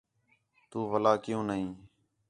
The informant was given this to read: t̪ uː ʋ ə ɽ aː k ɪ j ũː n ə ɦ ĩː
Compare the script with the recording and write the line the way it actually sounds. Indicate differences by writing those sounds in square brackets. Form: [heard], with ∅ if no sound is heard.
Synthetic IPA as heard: t̪ uː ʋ ə [l] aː k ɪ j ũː n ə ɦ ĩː

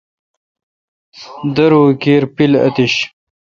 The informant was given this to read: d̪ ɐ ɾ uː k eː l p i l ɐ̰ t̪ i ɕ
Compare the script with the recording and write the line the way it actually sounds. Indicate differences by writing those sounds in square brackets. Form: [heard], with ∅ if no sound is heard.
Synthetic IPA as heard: d̪ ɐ ɾ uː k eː [ɾ] p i l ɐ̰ t̪ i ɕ

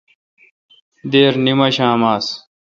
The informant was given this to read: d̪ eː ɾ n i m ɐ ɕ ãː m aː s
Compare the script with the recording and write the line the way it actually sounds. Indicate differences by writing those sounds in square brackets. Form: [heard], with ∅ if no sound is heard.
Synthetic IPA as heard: d̪ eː ɾ n i m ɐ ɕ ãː m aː s

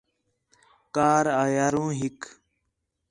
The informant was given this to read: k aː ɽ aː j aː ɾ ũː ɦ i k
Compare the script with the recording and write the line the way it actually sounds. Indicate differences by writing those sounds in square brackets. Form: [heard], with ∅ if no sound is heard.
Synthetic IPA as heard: k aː [ɾ] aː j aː ɾ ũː ɦ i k

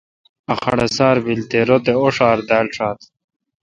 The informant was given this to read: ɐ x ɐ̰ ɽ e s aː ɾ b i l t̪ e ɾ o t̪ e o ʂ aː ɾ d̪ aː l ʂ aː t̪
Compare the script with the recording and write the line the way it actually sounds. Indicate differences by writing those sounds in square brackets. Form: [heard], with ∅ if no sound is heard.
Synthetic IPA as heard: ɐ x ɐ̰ ɽ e s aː ɾ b i l t̪ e ɾ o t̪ e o ʂ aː ɾ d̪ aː l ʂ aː t̪

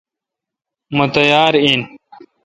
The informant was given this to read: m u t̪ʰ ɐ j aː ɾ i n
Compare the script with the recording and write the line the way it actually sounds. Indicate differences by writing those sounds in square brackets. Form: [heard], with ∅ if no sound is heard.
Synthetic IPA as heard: m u [t̪] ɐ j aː ɾ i n

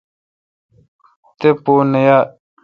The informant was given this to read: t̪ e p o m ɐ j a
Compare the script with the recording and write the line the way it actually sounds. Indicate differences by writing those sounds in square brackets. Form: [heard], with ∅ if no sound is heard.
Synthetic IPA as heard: t̪ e p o [n] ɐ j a

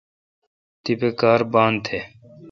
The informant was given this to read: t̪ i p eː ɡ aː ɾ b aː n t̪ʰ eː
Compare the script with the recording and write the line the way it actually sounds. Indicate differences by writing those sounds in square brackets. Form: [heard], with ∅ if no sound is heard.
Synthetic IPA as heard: t̪ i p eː [k] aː ɾ b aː n t̪ʰ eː

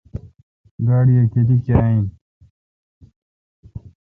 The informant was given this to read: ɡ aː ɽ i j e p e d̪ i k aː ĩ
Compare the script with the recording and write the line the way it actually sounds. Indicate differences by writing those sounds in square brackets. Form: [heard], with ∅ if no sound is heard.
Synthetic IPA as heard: ɡ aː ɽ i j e [k] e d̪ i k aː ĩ

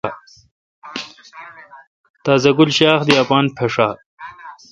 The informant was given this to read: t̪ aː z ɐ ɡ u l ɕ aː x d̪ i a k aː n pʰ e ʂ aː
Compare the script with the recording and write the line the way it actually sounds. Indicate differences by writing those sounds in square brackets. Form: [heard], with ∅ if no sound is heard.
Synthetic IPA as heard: t̪ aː z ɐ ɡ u l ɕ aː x d̪ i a [p] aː n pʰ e ʂ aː

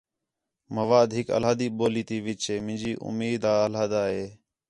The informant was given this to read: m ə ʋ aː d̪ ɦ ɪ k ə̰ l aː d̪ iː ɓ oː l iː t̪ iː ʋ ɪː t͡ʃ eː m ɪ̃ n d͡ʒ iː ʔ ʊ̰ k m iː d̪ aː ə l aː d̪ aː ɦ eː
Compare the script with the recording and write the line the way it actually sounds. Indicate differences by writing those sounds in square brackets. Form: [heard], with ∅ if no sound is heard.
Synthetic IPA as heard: m ə ʋ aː d̪ ɦ ɪ k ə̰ l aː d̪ iː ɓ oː l iː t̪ iː ʋ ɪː t͡ʃ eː m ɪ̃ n d͡ʒ iː ʔ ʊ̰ [∅] m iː d̪ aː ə l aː d̪ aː ɦ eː

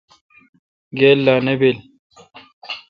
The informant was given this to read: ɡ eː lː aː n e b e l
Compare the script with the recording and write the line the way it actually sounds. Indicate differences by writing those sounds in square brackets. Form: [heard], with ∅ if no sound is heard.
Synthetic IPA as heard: ɡ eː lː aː n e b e l

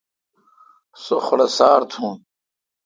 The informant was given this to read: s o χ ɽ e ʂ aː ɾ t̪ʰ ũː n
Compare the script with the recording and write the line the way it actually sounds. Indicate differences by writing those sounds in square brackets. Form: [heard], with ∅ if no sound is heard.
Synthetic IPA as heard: s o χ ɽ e [s] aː ɾ t̪ʰ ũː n

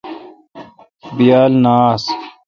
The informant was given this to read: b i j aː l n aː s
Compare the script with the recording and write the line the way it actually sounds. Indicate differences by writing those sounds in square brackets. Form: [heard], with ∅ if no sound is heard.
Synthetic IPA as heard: b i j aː l n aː s

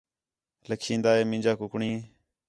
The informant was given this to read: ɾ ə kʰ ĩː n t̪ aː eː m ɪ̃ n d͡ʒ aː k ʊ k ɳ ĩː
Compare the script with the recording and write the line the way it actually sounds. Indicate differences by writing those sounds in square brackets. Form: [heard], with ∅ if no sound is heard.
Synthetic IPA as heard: [l] ə kʰ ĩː n [d̪] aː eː m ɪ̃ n d͡ʒ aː k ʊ k ɳ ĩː

